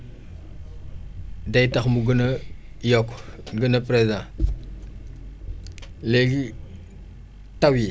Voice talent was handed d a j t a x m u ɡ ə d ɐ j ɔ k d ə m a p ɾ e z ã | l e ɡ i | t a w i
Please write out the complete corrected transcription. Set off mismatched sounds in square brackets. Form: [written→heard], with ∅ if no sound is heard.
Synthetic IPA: d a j t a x m u ɡ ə [d→n] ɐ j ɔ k [d→ɡ] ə [m→n] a p ɾ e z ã | l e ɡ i | t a w i